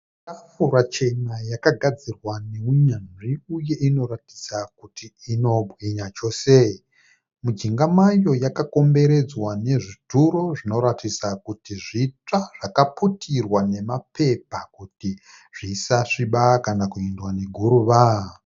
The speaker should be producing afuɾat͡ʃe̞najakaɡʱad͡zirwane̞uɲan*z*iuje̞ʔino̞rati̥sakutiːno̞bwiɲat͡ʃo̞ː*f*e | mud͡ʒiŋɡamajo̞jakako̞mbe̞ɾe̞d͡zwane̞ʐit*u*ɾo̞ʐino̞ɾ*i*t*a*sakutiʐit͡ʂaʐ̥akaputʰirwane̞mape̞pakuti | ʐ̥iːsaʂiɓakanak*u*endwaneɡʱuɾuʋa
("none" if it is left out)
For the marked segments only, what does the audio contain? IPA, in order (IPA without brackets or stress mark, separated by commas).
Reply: ʐ, s, u, a, i, u